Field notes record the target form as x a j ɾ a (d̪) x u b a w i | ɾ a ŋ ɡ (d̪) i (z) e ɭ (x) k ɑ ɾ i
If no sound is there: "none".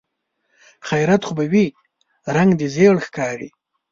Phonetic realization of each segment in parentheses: t̪, d̪, z, x

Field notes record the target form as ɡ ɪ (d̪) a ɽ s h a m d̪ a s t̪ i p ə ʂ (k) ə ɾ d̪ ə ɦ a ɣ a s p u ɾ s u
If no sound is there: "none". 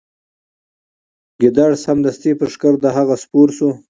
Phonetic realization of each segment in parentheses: d̪, k

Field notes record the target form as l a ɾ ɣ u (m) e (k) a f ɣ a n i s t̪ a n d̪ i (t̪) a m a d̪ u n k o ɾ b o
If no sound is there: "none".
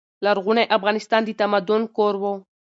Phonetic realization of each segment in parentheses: n, ʔ, t̪

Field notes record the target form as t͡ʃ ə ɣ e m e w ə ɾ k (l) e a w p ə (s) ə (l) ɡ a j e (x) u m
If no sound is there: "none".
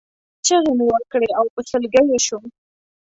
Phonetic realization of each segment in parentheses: ɽ, s, l, ʃ

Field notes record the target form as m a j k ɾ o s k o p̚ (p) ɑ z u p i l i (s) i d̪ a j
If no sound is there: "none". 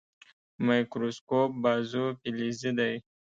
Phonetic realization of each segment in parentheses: b, z

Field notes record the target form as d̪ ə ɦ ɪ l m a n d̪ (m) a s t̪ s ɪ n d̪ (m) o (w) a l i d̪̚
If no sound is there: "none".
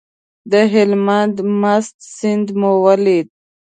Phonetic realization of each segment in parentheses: m, m, w

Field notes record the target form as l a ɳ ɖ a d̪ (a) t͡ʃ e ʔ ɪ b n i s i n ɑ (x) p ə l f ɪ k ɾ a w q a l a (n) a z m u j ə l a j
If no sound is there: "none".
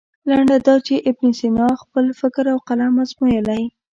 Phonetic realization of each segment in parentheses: ɑ, x, m

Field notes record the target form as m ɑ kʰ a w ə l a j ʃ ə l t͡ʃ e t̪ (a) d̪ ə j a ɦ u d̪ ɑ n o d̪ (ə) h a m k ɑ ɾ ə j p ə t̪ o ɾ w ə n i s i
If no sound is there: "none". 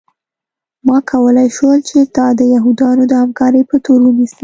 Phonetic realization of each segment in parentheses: ɑ, ə

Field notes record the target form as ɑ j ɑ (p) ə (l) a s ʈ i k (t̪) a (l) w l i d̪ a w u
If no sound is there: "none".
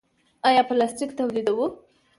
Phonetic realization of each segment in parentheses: p, l, t̪, none

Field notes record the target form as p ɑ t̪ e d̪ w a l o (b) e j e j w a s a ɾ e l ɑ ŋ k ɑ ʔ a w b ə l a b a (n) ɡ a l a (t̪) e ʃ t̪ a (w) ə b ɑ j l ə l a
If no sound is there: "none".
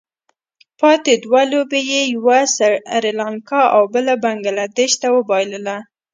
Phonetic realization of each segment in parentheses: b, ŋ, d̪, w

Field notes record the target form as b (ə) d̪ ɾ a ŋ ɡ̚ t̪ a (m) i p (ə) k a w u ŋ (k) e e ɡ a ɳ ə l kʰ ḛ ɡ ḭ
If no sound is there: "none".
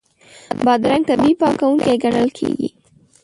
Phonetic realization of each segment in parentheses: ɑ, b, ɑ, k

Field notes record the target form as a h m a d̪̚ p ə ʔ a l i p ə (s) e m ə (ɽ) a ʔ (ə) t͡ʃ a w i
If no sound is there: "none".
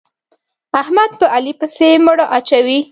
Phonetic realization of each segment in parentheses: s, ɽ, a

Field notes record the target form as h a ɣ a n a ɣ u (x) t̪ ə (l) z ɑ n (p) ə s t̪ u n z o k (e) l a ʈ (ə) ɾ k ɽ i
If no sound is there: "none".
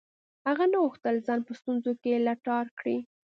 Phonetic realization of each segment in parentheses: x, l, p, e, ɑ

